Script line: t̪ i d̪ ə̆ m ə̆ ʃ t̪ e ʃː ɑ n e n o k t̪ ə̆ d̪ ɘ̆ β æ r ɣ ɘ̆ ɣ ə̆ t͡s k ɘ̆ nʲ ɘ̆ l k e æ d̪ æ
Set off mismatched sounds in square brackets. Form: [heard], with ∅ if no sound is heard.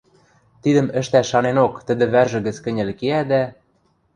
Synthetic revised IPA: t̪ i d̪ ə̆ m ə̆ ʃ t̪ [æ] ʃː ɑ n e n o k t̪ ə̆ d̪ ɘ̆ β æ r [ʒ] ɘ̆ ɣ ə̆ t͡s k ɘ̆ nʲ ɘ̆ l k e æ d̪ æ